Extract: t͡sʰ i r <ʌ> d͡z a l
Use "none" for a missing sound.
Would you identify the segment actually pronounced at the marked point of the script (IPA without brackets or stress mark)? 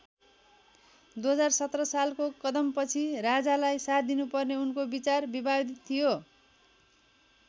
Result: a